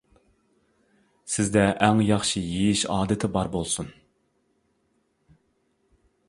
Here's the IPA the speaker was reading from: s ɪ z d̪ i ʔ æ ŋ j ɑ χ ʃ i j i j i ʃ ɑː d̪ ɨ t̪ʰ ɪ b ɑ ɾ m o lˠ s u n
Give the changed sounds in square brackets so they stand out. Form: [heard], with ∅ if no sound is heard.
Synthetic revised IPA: s ɪ z d̪ [ɛ] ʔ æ ŋ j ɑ χ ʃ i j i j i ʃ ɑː d̪ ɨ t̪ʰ ɪ b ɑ ɾ [b] o lˠ s u n